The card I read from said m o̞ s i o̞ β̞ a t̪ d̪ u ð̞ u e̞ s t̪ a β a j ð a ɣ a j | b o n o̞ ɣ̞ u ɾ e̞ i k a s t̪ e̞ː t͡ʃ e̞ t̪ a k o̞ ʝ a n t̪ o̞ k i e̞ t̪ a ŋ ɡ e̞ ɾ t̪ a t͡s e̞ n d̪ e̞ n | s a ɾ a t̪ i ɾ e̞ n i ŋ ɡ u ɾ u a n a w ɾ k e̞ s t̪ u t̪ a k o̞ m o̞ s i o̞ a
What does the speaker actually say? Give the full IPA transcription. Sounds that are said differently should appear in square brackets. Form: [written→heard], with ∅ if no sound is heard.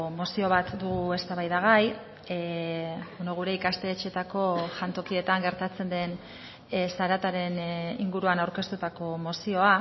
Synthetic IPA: m o̞ s i o̞ β̞ a t̪ d̪ u [ð̞→ɣ̞] u e̞ s t̪ a β a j ð a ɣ a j | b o n o̞ ɣ̞ u ɾ e̞ i k a s t̪ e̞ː t͡ʃ e̞ t̪ a k o̞ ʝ a n t̪ o̞ k i e̞ t̪ a ŋ ɡ e̞ ɾ t̪ a t͡s e̞ n d̪ e̞ n | s a ɾ a t̪ [i→a] ɾ e̞ n i ŋ ɡ u ɾ u a n a w ɾ k e̞ s t̪ u t̪ a k o̞ m o̞ s i o̞ a

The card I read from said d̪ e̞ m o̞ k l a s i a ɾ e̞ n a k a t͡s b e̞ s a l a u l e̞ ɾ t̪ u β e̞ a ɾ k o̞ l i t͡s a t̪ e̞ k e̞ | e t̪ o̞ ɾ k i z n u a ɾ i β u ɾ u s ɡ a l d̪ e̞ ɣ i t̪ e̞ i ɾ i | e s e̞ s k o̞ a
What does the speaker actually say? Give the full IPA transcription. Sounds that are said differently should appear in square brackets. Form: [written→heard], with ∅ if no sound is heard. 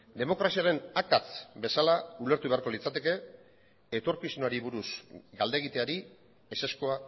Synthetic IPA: d̪ e̞ m o̞ k [l→ɾ] a s i a ɾ e̞ n a k a t͡s b e̞ s a l a u l e̞ ɾ t̪ u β e̞ a ɾ k o̞ l i t͡s a t̪ e̞ k e̞ | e t̪ o̞ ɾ k i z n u a ɾ i β u ɾ u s ɡ a l d̪ e̞ ɣ i t̪ e̞ [i→a] ɾ i | e s e̞ s k o̞ a

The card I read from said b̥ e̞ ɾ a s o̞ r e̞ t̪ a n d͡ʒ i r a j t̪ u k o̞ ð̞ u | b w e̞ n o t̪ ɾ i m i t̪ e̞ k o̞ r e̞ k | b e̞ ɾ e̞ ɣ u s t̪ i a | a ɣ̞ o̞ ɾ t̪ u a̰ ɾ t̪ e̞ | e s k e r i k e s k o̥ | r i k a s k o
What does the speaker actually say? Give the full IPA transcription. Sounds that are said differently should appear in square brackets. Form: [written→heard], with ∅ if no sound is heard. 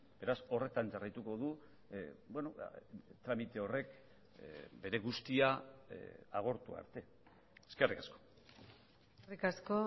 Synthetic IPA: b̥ e̞ ɾ a s o̞ r e̞ t̪ a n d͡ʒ [i→a] r a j t̪ u k o̞ ð̞ u | b w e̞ n o t̪ ɾ [i→a] m i t̪ e̞ [k→∅] o̞ r e̞ k | b e̞ ɾ e̞ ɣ u s t̪ i a | a ɣ̞ o̞ ɾ t̪ u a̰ ɾ t̪ e̞ | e s k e r i k [e→a] s k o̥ | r i k a s k o

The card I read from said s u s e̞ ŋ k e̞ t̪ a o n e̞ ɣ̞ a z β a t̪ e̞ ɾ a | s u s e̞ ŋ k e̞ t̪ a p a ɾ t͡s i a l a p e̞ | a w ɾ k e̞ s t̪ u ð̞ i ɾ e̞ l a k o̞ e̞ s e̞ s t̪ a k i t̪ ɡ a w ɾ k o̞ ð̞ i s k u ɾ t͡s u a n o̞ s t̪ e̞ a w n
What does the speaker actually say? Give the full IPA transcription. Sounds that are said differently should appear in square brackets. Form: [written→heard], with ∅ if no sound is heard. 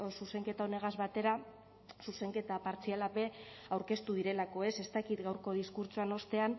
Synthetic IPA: s u s e̞ ŋ k e̞ t̪ a o n e̞ ɣ̞ a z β a t̪ e̞ ɾ a | s u s e̞ ŋ k e̞ t̪ a p a ɾ t͡s i a l a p e̞ | a w ɾ k e̞ s t̪ u ð̞ i ɾ e̞ l a k o̞ e̞ s e̞ s t̪ a k i t̪ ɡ a w ɾ k o̞ ð̞ i s k u ɾ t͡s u a n o̞ s t̪ e̞ a [w→∅] n

